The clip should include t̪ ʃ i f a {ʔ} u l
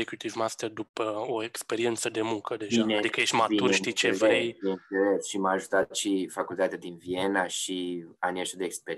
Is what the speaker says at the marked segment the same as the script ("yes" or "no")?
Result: no